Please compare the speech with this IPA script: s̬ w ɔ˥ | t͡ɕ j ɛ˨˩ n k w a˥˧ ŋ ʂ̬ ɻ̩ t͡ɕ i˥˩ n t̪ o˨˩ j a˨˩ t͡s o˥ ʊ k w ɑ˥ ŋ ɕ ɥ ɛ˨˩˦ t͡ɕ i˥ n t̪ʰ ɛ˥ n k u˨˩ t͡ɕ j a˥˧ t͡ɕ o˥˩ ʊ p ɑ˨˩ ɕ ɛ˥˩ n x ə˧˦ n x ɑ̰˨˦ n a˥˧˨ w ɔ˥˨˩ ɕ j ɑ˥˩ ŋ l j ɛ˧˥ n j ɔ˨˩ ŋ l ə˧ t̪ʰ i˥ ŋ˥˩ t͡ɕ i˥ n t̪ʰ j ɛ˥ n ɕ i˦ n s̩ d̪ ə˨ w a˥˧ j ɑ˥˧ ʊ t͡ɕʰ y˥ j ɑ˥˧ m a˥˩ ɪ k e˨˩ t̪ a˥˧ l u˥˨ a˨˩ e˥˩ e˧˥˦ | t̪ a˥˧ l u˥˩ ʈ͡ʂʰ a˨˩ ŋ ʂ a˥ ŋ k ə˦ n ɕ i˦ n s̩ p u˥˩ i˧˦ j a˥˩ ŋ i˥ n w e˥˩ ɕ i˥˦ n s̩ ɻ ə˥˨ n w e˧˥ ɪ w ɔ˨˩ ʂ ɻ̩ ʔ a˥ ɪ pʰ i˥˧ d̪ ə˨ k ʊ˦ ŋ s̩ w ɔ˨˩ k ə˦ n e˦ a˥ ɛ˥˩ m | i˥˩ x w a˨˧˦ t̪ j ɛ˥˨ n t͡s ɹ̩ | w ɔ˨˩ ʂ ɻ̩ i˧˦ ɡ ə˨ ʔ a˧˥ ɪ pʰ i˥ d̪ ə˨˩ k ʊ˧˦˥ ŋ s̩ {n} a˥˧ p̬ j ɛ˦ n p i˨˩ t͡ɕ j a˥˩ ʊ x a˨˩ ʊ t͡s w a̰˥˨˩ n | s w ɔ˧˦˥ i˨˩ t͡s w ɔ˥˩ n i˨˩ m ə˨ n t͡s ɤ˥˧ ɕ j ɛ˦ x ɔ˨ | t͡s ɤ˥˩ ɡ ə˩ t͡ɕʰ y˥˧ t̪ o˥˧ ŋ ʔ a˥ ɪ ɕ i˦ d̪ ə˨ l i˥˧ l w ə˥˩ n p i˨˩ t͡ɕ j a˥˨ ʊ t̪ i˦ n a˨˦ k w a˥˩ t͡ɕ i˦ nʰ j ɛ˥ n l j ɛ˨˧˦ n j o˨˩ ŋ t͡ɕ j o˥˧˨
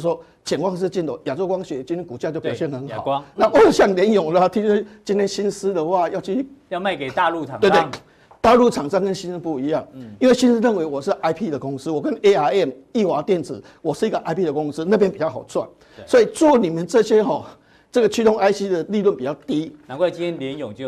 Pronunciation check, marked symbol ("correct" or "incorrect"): correct